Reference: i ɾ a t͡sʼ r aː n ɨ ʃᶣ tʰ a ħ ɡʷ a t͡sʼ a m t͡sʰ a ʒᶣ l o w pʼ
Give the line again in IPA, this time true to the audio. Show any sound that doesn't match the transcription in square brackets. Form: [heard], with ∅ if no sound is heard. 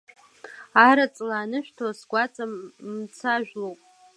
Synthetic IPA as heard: [a] ɾ a t͡sʼ [l] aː n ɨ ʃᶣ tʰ a [s] ɡʷ a t͡sʼ a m t͡sʰ a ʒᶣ l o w pʼ